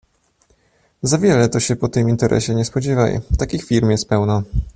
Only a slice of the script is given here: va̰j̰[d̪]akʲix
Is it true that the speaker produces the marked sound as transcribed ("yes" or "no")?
no